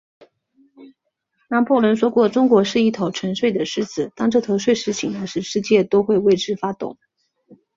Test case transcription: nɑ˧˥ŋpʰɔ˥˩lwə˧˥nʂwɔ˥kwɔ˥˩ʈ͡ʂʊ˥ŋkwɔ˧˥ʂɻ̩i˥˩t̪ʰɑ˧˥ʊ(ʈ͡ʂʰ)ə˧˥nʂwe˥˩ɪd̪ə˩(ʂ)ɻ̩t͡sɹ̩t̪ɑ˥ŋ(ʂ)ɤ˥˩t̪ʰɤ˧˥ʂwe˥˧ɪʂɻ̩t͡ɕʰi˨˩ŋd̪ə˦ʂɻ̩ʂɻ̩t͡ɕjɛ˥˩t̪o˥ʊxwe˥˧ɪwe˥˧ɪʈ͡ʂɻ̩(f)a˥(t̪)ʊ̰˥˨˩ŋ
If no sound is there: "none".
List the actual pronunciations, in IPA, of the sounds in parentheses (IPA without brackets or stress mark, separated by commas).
ʈ͡ʂʰ, ʂ, ʈ͡ʂ, f, t̪